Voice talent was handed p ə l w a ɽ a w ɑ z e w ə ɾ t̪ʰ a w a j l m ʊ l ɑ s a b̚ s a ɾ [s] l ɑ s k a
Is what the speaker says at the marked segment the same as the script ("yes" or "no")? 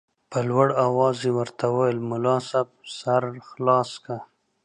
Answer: no